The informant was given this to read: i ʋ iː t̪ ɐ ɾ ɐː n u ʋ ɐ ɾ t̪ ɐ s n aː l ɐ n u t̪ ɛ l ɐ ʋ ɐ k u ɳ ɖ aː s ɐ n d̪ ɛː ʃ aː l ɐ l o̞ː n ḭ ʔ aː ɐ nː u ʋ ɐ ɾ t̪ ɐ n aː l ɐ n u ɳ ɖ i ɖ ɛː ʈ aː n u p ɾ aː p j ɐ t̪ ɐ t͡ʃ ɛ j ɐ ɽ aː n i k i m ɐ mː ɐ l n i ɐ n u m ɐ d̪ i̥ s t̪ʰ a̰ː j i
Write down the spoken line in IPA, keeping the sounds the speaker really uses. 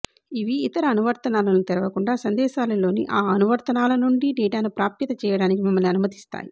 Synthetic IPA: i ʋ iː t̪ ɐ ɾ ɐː n u ʋ ɐ ɾ t̪ ɐ n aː l ɐ n u t̪ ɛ ɾ ɐ ʋ ɐ k u ɳ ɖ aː s ɐ n d̪ ɛː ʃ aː l ɐ l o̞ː n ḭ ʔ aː ɐ n u ʋ ɐ ɾ t̪ ɐ n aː l ɐ n u ɳ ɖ i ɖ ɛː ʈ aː n u p ɾ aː p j ɐ t̪ ɐ t͡ʃ ɛː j ɐ ɽ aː n i k i m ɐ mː ɐ l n i ɐ n u m ɐ t̪ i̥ s t̪ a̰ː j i